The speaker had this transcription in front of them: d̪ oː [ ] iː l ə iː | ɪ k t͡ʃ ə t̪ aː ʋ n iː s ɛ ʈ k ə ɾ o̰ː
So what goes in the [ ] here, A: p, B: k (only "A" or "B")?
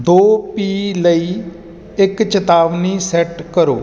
A